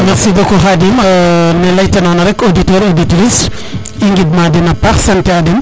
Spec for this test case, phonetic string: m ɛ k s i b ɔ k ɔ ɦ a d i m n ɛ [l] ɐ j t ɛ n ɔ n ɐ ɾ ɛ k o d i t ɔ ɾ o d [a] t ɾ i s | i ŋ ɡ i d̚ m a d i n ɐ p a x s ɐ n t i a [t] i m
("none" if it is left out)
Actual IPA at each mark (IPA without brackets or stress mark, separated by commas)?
l, i, d